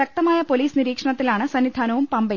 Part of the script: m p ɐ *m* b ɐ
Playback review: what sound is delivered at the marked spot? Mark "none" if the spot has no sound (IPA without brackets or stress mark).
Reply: m